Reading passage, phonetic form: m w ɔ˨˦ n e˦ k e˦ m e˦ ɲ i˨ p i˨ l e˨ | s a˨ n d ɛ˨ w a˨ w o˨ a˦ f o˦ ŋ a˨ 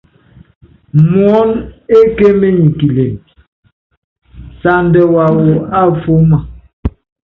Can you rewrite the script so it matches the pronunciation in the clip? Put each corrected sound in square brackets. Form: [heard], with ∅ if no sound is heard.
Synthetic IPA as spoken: m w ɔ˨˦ n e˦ k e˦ m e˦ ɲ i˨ [k] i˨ l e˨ | s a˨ n d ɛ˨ w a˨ w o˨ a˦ f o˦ [m] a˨